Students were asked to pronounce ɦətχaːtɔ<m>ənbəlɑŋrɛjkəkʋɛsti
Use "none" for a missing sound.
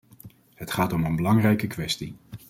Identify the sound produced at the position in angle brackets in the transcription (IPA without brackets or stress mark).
m